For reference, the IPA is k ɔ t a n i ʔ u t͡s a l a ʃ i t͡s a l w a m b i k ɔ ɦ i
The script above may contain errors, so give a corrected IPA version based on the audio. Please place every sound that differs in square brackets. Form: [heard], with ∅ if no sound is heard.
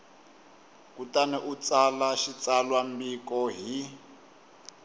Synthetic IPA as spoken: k [u] t a n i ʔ u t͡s a l a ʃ i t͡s a l w a m b i k ɔ ɦ i